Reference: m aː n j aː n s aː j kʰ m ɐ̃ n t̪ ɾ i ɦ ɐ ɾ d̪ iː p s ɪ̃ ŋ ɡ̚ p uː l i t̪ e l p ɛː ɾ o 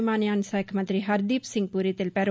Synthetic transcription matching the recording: m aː n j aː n s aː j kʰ m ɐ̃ n t̪ ɾ i ɦ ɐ ɾ d̪ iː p s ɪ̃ ŋ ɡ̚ p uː ɾ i t̪ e l p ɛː ɾ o